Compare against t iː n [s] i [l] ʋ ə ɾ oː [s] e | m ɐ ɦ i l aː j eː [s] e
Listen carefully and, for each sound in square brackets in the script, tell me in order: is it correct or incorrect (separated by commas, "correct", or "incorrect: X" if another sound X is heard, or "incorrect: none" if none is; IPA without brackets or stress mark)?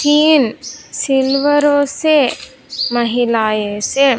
correct, correct, correct, correct